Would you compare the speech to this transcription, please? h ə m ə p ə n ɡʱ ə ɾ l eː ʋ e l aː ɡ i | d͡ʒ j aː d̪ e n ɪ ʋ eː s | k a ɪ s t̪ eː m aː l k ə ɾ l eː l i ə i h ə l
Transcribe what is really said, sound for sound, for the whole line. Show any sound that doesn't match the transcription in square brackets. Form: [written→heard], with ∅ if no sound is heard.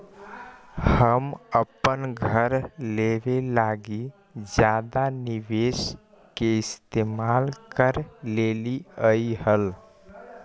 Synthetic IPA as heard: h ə m ə p ə n ɡʱ ə ɾ l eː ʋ e l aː ɡ i | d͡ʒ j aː d̪ [e→a] n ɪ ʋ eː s | k [a→e] ɪ s t̪ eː m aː l k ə ɾ l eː l i ə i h ə l

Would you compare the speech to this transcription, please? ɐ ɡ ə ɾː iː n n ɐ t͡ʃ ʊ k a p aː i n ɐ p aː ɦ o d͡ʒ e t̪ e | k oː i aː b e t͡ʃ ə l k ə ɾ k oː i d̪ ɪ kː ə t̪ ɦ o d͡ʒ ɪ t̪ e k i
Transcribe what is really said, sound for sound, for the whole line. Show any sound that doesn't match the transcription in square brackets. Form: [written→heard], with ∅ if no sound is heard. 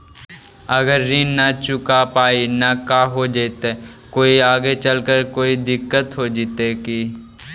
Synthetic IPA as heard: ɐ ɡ ə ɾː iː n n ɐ t͡ʃ ʊ k a p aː i n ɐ [p→k] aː ɦ o d͡ʒ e t̪ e | k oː i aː [b→ɡ] e t͡ʃ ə l k ə ɾ k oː i d̪ ɪ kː ə t̪ ɦ o d͡ʒ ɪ t̪ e k i

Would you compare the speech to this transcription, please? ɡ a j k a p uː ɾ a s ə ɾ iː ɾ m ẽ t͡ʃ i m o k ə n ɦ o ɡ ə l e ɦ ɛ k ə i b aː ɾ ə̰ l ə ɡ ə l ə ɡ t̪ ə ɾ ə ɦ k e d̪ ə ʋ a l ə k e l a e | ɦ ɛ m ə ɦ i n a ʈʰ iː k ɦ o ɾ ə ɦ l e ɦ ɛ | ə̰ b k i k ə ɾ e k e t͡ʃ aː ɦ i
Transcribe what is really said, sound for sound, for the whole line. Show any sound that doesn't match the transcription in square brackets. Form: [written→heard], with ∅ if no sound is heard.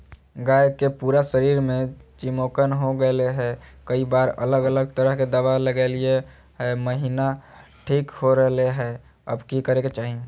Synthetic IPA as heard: ɡ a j k [a→e] p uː ɾ a s ə ɾ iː ɾ m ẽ t͡ʃ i m o k ə n ɦ o ɡ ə l e ɦ ɛ k ə i b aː ɾ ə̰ l ə ɡ ə l ə ɡ t̪ ə ɾ ə ɦ k e d̪ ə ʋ a l ə [k→ɡ] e l [a→i] e | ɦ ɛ m ə ɦ i n a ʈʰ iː k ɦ o ɾ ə ɦ l e ɦ ɛ | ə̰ b k i k ə ɾ e k e t͡ʃ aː ɦ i

